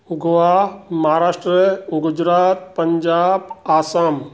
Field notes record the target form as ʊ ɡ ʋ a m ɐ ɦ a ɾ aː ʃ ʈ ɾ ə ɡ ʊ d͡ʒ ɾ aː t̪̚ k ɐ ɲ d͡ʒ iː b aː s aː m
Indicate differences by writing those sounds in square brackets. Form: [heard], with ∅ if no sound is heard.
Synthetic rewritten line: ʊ ɡ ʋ a m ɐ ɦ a ɾ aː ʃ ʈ ɾ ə ɡ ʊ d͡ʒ ɾ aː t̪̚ [p] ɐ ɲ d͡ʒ [aː] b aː s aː m